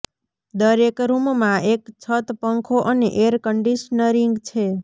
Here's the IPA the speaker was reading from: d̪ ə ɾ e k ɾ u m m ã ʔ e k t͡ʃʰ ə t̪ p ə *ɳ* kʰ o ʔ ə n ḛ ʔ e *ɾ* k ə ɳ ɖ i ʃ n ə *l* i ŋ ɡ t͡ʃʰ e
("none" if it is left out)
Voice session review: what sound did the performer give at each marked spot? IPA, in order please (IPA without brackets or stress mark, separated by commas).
ŋ, ɾ, ɾ